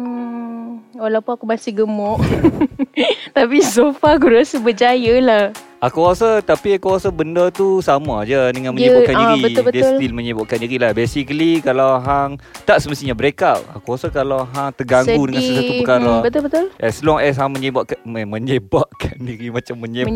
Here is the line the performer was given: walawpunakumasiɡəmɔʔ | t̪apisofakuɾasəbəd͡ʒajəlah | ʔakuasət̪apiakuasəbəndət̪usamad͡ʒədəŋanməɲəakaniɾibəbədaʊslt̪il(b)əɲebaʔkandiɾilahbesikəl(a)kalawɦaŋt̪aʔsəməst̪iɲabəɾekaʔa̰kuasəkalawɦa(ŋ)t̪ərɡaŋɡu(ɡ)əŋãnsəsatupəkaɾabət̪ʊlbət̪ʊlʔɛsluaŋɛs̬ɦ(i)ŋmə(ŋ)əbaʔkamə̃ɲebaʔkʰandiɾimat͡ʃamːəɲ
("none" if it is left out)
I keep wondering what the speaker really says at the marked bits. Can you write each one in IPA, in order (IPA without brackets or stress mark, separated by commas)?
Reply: m, i, ŋ, d, a, ɲ